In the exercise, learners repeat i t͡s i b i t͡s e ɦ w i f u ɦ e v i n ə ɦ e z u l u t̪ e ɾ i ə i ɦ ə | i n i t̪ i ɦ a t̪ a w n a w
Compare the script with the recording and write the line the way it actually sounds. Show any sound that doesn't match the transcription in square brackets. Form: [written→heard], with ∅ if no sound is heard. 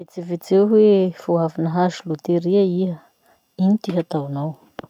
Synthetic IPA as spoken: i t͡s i [b→v] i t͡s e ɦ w [i→e] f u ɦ [e→a] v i n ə ɦ [e→a] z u l u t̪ e ɾ i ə i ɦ ə | i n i t̪ i ɦ a t̪ a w n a w